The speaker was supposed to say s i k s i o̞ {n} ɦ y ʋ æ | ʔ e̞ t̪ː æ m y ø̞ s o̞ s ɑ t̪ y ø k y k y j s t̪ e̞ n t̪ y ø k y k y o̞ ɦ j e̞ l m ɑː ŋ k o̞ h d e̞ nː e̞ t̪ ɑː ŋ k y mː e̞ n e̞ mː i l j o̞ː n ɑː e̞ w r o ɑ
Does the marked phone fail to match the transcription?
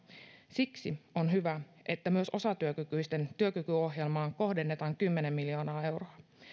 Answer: no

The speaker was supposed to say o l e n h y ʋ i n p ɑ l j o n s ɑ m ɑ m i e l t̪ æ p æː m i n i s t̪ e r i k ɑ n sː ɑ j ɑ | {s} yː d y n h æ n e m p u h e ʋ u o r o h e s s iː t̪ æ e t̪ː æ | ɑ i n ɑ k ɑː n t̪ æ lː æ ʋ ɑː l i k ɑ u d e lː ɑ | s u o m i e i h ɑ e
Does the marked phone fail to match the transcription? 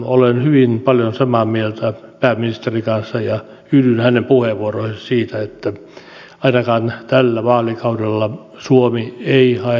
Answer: yes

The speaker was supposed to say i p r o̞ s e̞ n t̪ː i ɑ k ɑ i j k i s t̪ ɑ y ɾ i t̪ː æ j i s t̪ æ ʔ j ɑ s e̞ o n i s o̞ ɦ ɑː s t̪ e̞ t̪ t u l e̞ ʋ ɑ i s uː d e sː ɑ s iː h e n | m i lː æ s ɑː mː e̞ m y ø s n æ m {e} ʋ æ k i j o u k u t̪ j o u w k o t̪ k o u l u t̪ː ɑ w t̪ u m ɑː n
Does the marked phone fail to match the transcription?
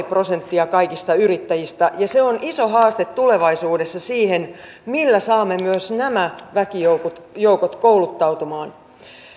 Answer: yes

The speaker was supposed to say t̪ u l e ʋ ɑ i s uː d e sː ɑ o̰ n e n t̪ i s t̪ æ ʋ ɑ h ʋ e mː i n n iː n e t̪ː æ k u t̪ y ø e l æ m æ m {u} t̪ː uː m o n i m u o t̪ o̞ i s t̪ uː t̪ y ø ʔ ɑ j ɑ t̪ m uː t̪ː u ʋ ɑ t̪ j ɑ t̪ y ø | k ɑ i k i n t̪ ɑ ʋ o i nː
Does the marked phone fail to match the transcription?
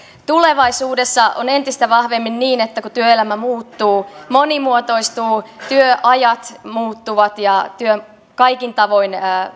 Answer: yes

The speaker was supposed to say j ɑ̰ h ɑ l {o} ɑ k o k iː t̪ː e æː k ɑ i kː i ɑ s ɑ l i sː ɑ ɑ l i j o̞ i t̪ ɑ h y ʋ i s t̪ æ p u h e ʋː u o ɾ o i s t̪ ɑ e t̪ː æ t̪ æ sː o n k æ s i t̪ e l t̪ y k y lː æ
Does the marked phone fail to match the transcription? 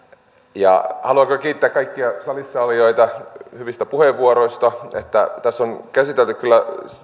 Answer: yes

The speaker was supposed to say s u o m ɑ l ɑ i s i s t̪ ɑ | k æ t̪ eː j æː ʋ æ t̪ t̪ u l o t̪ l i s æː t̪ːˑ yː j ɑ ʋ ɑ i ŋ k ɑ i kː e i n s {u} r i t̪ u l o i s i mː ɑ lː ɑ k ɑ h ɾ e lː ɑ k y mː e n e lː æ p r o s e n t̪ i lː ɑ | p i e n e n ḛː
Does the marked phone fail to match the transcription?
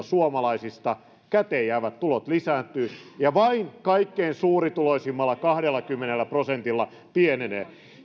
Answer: yes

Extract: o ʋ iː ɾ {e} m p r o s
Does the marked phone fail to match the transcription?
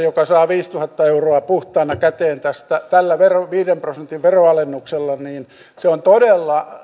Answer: no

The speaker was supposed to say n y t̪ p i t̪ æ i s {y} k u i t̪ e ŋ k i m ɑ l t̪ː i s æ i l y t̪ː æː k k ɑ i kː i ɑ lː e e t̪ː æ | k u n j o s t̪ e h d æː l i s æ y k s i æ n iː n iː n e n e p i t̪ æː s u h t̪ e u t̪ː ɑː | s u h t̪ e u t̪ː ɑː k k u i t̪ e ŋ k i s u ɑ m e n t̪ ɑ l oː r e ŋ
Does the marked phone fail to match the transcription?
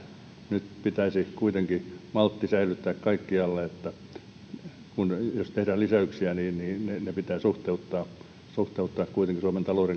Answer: yes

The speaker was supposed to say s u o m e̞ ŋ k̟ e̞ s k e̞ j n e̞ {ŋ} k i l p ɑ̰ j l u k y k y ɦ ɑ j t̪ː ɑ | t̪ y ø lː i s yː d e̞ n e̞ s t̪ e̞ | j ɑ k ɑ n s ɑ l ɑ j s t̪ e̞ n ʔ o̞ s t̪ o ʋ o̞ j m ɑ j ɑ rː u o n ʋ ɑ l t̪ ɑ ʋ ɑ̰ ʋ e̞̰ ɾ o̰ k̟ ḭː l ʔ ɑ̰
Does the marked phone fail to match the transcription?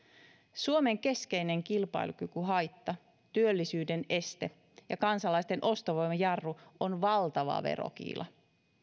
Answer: no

